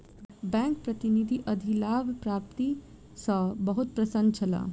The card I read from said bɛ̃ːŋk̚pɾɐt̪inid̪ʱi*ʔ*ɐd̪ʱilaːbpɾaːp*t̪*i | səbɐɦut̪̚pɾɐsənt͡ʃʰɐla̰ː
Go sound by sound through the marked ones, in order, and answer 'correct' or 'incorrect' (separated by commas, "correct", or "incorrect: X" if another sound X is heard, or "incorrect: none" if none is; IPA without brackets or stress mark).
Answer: correct, correct